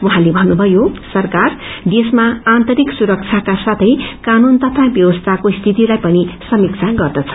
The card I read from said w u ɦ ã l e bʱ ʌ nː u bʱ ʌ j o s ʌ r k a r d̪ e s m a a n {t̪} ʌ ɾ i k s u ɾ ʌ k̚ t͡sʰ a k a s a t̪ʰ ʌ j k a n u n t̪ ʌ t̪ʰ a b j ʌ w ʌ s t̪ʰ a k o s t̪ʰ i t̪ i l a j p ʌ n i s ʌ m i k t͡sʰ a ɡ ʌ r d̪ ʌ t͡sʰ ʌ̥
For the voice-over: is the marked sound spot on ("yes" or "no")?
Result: yes